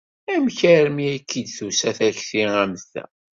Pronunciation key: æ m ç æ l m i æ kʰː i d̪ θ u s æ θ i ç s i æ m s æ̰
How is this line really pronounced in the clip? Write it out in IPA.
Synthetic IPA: æ m ç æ ɾ m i æ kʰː i d̪ θ u s æ θ æ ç θ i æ m θ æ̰